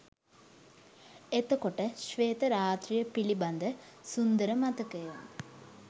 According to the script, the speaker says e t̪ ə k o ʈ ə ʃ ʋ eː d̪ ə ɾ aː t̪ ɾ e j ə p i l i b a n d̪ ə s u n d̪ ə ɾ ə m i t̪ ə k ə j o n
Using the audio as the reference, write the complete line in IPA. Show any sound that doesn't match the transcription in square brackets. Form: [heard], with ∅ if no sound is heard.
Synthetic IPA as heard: e t̪ ə k o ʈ ə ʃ ʋ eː [t̪] ə ɾ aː t̪ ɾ [i] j ə p i l i b a n d̪ ə s u n d̪ ə ɾ ə m [a] t̪ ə k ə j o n